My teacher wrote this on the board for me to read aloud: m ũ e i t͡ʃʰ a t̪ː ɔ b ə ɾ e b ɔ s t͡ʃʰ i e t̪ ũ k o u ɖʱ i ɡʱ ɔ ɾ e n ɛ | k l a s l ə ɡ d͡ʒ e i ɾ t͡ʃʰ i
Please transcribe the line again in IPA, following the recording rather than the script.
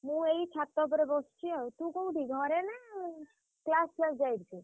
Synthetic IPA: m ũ e i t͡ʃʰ a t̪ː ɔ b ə ɾ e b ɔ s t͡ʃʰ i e t̪ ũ k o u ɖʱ i ɡʱ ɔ ɾ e n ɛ | k l a s l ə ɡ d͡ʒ a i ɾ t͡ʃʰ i